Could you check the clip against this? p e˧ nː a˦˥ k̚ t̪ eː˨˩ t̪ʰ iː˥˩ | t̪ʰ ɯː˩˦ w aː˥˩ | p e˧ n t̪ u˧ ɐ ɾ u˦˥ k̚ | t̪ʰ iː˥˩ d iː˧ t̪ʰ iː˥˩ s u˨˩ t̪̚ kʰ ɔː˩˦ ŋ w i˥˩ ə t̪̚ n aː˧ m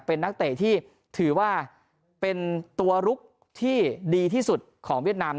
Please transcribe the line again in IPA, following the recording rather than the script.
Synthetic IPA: p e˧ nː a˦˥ k̚ t̪ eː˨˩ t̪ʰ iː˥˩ | t̪ʰ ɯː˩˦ w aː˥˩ | p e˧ n t̪ u˧ ɐ ɾ u˦˥ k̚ | t̪ʰ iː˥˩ d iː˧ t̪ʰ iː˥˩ s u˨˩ t̪̚ kʰ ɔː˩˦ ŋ w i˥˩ ə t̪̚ n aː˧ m